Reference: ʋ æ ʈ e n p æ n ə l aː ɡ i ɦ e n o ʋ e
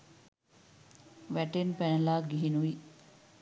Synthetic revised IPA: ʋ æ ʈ e n p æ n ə l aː ɡ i ɦ i n u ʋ i